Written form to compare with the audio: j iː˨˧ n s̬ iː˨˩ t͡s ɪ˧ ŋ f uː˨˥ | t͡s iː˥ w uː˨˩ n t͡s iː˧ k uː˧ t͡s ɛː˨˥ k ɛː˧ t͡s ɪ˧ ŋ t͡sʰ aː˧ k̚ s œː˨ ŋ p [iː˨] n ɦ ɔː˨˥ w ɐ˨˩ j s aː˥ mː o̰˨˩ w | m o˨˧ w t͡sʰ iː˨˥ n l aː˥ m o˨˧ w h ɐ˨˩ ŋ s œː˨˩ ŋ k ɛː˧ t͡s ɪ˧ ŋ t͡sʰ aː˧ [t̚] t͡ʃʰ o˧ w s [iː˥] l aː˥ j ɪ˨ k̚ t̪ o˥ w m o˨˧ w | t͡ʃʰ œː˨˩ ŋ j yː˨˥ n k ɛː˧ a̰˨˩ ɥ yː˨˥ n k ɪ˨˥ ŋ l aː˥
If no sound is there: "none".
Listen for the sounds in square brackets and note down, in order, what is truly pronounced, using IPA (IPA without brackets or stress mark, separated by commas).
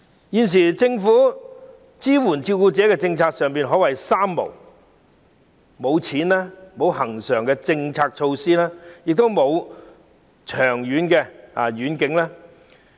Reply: iː˨, k̚, iː˥